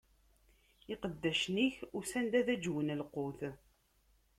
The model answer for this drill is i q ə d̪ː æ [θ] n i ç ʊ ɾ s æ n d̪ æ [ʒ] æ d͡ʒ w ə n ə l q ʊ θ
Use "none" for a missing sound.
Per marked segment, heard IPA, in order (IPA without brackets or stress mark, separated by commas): ʃ, ð